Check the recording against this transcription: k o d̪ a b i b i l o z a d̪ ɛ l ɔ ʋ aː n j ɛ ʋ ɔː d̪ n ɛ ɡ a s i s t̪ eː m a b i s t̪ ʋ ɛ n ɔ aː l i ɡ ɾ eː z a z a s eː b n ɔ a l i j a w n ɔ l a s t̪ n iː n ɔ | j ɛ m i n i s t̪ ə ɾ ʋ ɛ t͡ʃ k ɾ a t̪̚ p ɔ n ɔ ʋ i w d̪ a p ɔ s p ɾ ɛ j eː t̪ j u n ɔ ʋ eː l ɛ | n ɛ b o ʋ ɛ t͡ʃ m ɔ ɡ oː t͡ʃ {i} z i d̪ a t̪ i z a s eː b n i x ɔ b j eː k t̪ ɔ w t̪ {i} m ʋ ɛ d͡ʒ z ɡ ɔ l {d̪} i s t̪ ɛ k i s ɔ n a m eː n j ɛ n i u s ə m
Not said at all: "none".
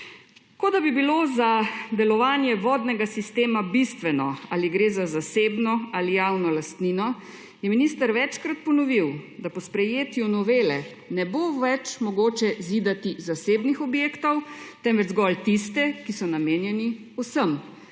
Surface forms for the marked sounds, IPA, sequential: ɛ, ɛ, t̪

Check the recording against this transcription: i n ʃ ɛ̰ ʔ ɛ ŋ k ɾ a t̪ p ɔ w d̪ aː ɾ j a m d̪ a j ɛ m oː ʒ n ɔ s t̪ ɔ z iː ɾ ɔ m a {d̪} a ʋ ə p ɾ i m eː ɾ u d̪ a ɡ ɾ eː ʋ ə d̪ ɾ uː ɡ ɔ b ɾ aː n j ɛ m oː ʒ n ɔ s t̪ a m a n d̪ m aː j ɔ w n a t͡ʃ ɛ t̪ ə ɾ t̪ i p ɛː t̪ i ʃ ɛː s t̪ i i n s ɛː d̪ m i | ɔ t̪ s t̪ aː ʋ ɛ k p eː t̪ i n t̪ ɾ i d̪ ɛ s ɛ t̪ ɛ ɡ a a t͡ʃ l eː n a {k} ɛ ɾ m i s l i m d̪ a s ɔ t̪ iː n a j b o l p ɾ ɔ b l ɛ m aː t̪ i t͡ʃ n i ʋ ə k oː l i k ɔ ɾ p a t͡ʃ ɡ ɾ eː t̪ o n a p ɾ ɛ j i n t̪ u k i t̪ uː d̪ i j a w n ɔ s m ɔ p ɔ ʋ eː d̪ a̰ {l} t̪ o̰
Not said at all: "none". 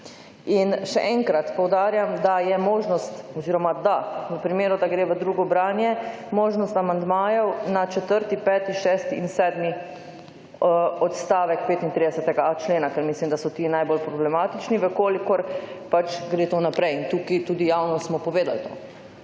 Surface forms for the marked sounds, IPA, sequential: d̪, k, l

